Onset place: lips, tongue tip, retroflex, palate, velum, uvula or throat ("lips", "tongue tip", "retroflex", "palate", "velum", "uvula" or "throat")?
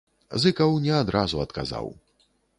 tongue tip